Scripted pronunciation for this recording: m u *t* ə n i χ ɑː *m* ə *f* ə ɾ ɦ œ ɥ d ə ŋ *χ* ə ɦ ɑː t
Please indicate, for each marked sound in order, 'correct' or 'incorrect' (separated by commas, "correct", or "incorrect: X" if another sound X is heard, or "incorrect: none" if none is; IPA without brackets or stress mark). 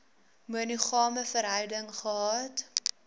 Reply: incorrect: none, correct, correct, correct